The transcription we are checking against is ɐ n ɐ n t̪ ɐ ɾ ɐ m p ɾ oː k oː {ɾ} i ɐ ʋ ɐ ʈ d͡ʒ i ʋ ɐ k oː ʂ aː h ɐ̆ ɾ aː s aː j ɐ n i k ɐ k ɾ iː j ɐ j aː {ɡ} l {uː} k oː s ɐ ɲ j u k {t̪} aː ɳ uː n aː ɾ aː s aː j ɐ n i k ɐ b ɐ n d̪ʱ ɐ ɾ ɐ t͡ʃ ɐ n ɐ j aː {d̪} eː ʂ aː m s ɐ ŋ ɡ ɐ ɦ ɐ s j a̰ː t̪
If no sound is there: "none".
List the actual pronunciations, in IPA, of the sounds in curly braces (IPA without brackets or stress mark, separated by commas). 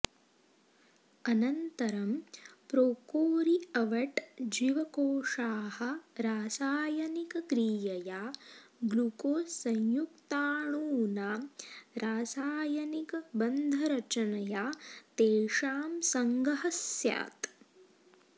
ɾ, ɡ, u, t̪, t̪